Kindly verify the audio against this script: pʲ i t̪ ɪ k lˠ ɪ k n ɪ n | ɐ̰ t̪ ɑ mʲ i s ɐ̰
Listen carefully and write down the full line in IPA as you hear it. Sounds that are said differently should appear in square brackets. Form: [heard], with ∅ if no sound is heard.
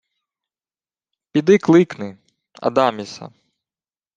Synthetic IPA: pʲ i [d̪] ɪ k lˠ ɪ k n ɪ [∅] | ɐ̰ [d̪] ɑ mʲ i s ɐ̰